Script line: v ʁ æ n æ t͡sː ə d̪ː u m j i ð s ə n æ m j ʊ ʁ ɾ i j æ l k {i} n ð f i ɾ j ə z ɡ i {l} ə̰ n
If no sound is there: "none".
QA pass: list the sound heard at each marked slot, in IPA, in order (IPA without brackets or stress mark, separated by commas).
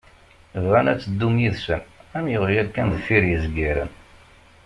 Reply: æ, ɾ